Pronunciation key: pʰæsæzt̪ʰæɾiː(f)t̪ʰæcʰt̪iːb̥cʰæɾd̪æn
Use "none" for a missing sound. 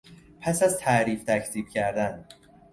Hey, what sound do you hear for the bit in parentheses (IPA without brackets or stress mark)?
f